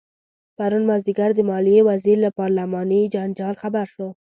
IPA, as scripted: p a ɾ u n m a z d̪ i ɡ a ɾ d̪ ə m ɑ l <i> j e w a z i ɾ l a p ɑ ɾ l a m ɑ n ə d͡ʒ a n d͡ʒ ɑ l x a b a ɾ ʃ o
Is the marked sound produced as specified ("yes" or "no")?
yes